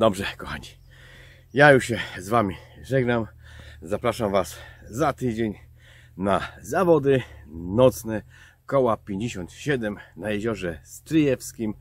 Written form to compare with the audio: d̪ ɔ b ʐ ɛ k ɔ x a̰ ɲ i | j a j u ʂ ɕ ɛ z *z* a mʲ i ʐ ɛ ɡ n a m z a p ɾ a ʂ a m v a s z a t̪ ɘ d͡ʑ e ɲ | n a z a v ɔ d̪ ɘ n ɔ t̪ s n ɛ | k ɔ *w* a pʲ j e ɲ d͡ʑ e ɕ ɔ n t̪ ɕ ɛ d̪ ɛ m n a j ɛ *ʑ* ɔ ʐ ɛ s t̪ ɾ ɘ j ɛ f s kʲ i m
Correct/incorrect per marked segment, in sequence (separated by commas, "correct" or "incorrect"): incorrect, correct, correct